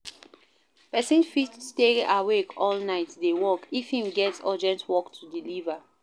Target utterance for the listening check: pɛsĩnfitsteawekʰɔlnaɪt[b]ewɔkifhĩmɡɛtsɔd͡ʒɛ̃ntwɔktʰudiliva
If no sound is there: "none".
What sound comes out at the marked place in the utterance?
d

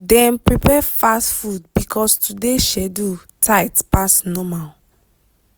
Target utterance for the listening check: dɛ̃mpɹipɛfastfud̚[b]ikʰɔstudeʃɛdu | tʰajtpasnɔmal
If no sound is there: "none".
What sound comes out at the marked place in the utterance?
b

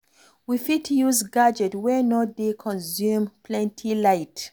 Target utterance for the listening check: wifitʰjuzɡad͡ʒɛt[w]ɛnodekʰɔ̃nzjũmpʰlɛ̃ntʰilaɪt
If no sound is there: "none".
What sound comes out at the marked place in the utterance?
w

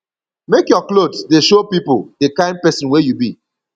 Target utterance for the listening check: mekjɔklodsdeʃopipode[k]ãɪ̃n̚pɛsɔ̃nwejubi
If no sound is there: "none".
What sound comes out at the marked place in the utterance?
k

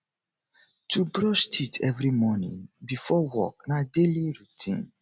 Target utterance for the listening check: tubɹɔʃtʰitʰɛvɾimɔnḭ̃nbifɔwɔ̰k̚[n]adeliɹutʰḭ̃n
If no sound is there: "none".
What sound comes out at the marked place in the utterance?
n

